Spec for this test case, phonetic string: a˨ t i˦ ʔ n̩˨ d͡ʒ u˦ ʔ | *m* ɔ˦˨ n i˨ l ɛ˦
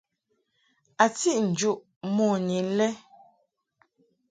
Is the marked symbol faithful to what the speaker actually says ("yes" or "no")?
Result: yes